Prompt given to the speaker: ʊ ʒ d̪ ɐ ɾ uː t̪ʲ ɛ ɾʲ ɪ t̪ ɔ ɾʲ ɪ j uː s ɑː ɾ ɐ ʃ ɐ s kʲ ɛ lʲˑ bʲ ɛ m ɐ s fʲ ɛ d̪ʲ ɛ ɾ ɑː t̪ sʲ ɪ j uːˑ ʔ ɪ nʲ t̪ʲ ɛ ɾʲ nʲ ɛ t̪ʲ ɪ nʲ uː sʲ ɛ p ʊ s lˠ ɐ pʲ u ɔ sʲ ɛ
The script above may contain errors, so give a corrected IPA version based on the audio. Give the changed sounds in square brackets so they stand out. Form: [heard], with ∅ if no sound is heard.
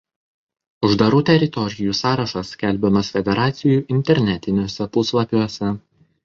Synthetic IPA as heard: ʊ ʒ d̪ ɐ ɾ uː t̪ʲ ɛ ɾʲ ɪ t̪ ɔ ɾʲ ɪ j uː s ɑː ɾ ɐ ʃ ɐ s kʲ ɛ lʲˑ bʲ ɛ m ɐ s fʲ ɛ d̪ʲ ɛ ɾ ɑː t̪ sʲ ɪ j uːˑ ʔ ɪ nʲ t̪ʲ ɛ ɾʲ nʲ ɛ t̪ʲ ɪ nʲ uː sʲ ɛ p ʊ s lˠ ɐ pʲ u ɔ sʲ ɛ